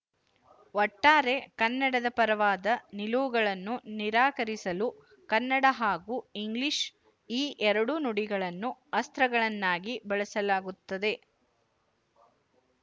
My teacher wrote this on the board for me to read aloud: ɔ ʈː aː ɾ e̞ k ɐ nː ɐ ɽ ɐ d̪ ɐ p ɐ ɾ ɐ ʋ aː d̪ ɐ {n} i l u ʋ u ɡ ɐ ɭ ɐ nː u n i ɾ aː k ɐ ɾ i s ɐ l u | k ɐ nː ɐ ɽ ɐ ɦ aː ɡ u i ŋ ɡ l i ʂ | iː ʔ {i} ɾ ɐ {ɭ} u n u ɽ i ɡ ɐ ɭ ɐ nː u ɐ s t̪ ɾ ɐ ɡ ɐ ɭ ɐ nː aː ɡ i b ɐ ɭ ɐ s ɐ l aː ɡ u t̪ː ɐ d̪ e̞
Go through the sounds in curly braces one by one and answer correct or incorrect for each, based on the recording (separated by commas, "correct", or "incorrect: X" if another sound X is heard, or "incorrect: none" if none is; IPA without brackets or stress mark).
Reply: correct, incorrect: ɛ, incorrect: ɽ